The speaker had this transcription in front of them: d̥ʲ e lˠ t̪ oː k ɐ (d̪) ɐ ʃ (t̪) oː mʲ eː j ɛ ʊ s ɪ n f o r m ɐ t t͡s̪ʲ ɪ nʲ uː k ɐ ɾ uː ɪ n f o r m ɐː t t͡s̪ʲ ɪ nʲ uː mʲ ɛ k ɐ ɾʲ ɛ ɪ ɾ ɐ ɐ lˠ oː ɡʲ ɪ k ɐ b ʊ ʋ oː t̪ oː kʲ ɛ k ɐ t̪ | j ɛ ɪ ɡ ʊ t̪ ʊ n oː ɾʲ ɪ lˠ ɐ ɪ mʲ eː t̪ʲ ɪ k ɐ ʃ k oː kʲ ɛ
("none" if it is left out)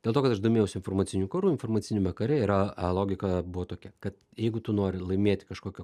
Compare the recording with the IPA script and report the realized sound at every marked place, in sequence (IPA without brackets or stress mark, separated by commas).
t̪, d̪